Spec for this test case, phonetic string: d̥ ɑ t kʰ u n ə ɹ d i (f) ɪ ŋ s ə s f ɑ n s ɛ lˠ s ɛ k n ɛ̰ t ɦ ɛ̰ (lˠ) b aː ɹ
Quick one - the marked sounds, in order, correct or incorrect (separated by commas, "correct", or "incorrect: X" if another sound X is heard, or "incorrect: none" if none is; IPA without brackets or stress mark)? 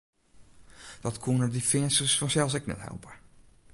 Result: correct, correct